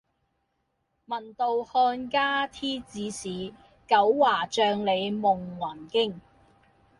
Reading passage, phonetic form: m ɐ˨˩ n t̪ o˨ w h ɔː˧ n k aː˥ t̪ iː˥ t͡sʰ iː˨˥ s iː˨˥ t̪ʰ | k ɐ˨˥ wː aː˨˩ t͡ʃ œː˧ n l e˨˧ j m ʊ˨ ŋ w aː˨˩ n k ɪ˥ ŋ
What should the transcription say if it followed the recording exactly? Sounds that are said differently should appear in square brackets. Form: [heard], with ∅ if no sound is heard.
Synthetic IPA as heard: m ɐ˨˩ n t̪ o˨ w h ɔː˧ n k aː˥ [t̪ʰ] iː˥ [t͡s] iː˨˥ s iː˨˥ [∅] | k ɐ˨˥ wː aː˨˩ t͡ʃ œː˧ [ŋ] l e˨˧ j m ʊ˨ ŋ w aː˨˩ n k ɪ˥ ŋ